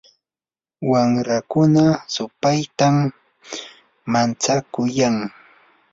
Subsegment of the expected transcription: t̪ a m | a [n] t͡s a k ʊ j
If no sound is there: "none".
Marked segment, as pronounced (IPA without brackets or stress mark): n